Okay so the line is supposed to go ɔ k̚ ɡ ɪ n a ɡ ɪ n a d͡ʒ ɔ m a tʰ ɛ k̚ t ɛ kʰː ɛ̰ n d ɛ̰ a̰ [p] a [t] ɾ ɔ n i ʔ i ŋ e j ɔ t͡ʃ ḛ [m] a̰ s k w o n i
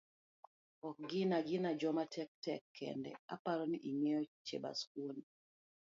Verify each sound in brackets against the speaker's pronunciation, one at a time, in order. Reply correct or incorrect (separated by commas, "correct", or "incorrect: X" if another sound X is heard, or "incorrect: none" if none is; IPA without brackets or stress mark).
correct, incorrect: none, incorrect: b